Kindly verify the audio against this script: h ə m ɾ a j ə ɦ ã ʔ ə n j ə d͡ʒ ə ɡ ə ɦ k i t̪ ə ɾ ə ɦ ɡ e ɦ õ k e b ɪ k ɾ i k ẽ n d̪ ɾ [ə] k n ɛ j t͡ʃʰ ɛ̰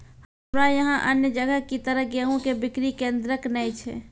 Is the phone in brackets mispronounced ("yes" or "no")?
no